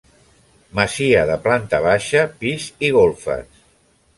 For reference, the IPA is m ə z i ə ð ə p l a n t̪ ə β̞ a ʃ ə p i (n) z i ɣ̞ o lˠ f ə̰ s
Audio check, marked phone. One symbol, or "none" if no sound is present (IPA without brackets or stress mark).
none